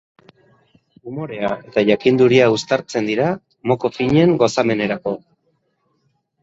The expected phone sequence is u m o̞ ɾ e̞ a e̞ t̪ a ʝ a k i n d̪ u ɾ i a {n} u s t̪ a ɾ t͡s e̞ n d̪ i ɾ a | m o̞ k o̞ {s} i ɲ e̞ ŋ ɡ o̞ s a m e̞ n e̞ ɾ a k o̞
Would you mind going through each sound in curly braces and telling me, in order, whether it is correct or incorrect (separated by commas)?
incorrect, incorrect